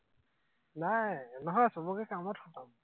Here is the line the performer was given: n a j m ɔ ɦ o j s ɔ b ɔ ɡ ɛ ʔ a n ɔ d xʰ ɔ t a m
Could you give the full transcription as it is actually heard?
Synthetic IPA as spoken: n a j n ɔ ɦ ɔ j s ɔ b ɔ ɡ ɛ k a m ɔ t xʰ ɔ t a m